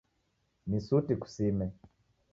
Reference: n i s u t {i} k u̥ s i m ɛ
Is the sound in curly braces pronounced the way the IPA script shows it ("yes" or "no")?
yes